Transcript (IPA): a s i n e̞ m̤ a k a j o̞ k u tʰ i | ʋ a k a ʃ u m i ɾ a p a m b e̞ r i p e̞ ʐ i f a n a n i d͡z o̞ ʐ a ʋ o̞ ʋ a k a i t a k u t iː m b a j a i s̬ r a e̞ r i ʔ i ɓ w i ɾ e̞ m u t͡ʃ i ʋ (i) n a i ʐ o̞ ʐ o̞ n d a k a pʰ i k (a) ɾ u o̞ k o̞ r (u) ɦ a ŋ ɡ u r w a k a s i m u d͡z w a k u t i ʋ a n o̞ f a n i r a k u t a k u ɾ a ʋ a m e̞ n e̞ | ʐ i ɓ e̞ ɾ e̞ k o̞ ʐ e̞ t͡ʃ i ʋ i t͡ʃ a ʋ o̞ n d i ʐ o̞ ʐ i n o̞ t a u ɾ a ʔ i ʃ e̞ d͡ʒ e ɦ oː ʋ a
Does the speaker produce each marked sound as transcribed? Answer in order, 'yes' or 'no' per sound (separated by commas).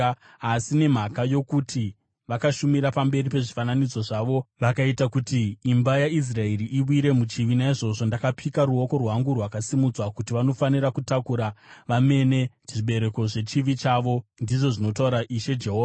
yes, yes, no